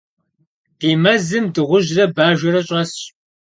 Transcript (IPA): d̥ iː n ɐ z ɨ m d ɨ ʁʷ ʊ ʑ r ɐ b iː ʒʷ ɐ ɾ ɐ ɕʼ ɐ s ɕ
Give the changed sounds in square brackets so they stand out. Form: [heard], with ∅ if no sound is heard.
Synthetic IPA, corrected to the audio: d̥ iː [m] ɐ z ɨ m d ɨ ʁʷ ʊ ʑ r ɐ b [aː] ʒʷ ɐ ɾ ɐ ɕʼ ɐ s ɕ